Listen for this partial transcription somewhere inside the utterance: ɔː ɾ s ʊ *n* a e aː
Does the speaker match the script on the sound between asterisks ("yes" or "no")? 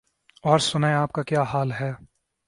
yes